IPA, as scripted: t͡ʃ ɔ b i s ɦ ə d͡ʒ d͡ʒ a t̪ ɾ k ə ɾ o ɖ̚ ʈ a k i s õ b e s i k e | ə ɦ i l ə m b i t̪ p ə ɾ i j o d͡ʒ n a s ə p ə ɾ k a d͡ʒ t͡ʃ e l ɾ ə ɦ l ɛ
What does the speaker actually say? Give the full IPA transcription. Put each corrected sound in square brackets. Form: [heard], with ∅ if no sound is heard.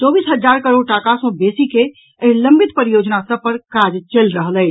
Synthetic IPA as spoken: t͡ʃ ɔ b i s ɦ ə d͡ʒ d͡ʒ a [∅] ɾ k ə ɾ o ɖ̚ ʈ a k [a] s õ b e s i k e | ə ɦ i l ə m b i t̪ p ə ɾ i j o d͡ʒ n a s ə p ə ɾ k a d͡ʒ t͡ʃ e l ɾ ə ɦ l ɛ